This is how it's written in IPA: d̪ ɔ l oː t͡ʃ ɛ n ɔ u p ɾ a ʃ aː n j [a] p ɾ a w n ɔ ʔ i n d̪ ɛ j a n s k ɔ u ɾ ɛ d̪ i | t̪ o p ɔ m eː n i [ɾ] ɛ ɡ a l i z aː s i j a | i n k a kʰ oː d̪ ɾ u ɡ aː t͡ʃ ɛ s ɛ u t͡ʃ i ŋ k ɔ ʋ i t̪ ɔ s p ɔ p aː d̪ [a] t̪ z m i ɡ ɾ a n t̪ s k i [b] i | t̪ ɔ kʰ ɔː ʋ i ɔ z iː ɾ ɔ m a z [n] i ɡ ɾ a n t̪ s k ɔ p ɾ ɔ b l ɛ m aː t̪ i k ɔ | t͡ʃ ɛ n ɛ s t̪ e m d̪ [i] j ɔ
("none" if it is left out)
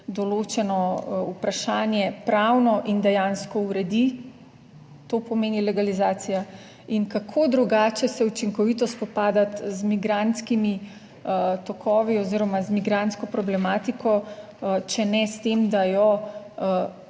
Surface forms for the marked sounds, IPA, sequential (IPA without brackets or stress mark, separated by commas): ɛ, l, a, m, m, a